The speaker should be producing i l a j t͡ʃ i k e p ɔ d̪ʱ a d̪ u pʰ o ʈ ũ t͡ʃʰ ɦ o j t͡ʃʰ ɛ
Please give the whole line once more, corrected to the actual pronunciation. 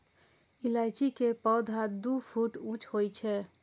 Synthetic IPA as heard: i l a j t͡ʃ i k e p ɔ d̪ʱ a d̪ u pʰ u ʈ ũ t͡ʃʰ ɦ o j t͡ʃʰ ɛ